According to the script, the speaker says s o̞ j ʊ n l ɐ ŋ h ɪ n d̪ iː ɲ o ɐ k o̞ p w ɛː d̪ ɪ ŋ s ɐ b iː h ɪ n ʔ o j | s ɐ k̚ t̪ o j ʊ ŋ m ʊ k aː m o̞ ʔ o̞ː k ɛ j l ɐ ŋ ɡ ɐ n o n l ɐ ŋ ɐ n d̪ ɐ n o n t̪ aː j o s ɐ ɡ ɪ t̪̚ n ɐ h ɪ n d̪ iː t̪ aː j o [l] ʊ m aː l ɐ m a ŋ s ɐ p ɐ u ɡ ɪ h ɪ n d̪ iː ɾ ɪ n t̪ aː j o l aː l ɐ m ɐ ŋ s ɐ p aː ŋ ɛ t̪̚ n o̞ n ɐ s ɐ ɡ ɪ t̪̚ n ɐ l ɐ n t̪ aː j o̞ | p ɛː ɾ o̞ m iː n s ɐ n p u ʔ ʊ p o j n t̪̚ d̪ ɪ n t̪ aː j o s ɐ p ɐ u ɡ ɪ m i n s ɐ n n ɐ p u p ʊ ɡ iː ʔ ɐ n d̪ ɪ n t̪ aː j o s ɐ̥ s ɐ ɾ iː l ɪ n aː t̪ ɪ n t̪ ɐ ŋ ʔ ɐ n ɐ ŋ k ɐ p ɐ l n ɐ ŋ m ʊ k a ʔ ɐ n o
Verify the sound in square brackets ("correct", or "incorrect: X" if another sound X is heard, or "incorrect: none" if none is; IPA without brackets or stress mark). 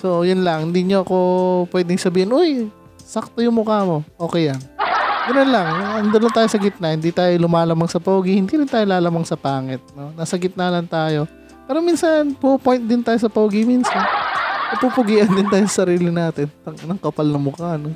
correct